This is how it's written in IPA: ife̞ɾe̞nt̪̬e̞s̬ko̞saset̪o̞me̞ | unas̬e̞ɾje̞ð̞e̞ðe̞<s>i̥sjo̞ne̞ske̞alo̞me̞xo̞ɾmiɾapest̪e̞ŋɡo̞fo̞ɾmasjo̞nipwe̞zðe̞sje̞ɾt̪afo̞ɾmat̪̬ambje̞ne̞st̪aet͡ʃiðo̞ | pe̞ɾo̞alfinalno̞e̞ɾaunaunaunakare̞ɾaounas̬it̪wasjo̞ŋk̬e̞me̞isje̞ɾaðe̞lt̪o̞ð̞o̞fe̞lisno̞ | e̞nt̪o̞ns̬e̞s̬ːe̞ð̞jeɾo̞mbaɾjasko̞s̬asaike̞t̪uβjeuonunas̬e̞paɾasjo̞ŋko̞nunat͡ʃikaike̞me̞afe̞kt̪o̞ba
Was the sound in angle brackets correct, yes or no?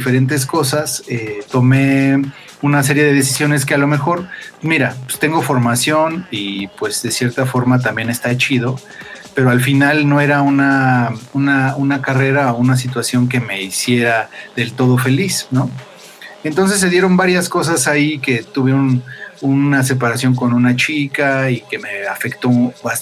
yes